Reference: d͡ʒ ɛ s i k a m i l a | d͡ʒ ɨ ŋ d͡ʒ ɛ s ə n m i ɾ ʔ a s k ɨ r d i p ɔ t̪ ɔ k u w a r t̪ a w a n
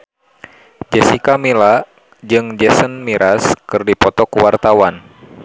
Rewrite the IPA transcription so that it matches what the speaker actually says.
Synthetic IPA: d͡ʒ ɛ s i k a m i l a | d͡ʒ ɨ ŋ d͡ʒ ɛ s ə n m i ɾ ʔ a s k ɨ r d i p ɔ t̪ ɔ k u w a r t̪ a w a n